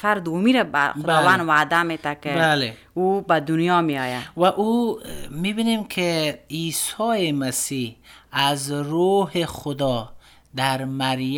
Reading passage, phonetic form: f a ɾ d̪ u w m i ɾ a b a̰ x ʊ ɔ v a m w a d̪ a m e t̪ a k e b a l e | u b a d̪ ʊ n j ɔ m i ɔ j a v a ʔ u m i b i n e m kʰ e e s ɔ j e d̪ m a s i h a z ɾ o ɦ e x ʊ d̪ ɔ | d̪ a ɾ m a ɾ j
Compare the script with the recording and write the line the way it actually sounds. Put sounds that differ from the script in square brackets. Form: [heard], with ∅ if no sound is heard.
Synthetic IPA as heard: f a ɾ d̪ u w m i ɾ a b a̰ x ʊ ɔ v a [n] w a d̪ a m e t̪ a k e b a l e | u b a d̪ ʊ n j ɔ m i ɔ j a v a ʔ u m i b i n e m kʰ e [i] s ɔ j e [∅] m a s i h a z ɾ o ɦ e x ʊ d̪ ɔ | d̪ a ɾ m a ɾ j